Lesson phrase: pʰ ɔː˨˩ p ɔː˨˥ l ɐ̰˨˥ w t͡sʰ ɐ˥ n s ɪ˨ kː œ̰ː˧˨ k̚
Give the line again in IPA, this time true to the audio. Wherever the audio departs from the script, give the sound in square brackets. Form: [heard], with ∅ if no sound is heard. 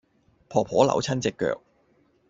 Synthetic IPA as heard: pʰ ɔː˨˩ [pʰ] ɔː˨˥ l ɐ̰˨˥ w t͡sʰ ɐ˥ n [t͡s] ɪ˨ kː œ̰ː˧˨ k̚